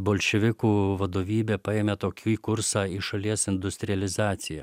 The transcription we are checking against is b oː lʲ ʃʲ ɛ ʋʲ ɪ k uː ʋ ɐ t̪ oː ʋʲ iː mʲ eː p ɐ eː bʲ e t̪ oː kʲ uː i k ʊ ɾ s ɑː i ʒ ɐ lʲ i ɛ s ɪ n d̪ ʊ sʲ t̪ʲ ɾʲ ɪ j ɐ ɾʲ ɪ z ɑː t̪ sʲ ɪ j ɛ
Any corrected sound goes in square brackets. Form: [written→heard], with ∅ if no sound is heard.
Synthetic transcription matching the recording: b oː lʲ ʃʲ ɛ ʋʲ ɪ k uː ʋ ɐ [t̪→d̪] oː ʋʲ iː [mʲ→bʲ] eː p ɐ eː [bʲ→mʲ] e t̪ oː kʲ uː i k ʊ ɾ s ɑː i [ʒ→ʃ] ɐ lʲ i ɛ s ɪ n d̪ ʊ sʲ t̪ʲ ɾʲ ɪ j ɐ [ɾʲ→lʲ] ɪ z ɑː t̪ sʲ ɪ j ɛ